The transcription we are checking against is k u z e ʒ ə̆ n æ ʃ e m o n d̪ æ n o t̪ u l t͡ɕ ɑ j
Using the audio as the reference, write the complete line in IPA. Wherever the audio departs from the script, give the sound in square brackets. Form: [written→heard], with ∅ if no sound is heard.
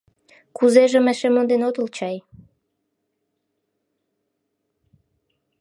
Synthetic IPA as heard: k u z e ʒ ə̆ [n→m] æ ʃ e m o n d̪ [æ→e] n o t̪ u l t͡ɕ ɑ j

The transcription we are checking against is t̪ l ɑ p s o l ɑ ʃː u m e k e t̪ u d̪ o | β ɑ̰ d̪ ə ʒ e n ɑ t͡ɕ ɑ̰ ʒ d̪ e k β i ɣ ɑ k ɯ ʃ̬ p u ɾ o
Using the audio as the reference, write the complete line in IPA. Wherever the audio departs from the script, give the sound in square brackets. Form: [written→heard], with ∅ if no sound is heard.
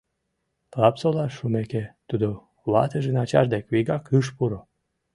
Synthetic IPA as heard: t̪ l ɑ p s o l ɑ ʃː u m e k e t̪ u d̪ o | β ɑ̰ [d̪→t̪] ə ʒ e n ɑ t͡ɕ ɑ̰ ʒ d̪ e k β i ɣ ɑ k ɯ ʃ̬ p u ɾ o

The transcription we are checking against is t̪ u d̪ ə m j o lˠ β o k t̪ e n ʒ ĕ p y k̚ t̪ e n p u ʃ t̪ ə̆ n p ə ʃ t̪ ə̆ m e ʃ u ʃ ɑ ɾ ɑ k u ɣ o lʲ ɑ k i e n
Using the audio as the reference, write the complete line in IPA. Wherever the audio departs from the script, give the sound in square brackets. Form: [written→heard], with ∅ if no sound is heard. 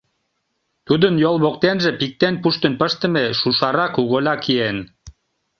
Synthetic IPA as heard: t̪ u d̪ ə [m→n] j o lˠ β o k t̪ e n ʒ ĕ p [y→i] k̚ t̪ e n p u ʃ t̪ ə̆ n p ə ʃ t̪ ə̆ m e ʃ u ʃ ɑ ɾ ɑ k u ɣ o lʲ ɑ k i e n

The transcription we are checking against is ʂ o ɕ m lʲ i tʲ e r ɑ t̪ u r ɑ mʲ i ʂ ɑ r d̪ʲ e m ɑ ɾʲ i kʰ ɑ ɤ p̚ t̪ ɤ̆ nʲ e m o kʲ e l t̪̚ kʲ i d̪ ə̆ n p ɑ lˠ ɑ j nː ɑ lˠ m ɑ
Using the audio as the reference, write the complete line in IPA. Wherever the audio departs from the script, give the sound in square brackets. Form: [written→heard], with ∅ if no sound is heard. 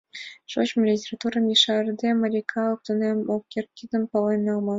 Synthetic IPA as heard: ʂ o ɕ m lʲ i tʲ e r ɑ t̪ u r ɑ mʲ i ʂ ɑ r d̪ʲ e m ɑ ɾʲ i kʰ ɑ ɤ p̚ t̪ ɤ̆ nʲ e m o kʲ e [l→r] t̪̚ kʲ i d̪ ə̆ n p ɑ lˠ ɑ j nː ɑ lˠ m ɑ

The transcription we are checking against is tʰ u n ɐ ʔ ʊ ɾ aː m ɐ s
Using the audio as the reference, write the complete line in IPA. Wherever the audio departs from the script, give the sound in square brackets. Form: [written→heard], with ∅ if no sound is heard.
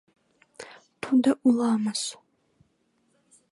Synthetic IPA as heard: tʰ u [n→d] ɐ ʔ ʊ [ɾ→l] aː m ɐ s

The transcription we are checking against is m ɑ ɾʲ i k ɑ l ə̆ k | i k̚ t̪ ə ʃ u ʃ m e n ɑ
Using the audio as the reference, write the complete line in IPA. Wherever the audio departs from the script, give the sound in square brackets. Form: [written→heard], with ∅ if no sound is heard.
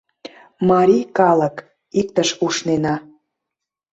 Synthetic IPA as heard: m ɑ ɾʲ i k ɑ l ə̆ k | i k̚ t̪ ə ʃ u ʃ [m→n] e n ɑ

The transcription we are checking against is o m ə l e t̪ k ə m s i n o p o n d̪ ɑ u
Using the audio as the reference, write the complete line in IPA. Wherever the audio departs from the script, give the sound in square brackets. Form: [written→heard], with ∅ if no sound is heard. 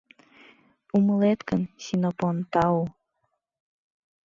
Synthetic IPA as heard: [o→u] m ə l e t̪ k ə [m→n] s i n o p o n [d̪→t̪] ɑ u

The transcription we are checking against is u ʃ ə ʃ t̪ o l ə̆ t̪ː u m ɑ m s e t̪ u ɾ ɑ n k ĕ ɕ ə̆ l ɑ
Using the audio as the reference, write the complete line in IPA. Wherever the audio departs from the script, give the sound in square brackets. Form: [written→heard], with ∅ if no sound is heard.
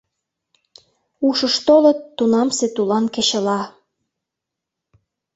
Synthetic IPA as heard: u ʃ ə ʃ t̪ o l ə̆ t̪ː u [m→n] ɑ m s e t̪ u [ɾ→l] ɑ n k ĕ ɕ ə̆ l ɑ

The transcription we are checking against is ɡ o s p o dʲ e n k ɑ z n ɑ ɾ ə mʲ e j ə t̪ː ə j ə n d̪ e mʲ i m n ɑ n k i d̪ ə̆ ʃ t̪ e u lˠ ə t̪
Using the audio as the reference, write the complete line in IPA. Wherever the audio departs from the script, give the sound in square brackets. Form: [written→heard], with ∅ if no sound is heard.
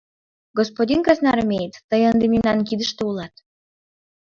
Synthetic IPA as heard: ɡ o s p o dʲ [e→i] n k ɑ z n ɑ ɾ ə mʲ e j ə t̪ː ə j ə n d̪ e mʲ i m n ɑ n k i d̪ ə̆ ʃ t̪ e u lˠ [ə→ɑ] t̪

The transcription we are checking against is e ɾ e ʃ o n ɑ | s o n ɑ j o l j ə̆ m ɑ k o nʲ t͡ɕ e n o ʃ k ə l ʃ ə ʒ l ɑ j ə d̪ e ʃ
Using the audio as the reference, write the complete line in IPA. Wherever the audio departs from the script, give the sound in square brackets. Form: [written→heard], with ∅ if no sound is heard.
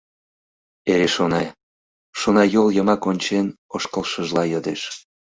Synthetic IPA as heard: e ɾ e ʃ o n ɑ | [s→ʃ] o n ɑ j o l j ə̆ m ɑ k o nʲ t͡ɕ e n o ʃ k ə l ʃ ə ʒ l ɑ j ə d̪ e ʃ

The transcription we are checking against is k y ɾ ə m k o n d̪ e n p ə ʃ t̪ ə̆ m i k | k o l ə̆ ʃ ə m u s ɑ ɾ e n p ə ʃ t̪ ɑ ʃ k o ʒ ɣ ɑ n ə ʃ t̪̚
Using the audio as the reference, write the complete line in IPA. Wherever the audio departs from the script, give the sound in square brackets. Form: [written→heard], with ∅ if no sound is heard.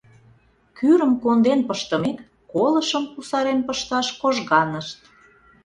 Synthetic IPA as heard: k y ɾ ə m k o n d̪ e n p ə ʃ t̪ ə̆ m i k | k o l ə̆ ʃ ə m u s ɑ ɾ e n p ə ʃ t̪ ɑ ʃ k o ʒ ɣ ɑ n ə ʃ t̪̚

